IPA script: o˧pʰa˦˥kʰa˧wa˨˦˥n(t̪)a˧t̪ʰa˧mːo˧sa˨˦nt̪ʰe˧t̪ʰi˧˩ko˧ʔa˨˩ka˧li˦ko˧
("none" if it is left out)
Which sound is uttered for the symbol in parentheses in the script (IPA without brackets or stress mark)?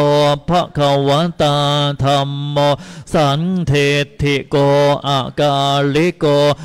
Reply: t̪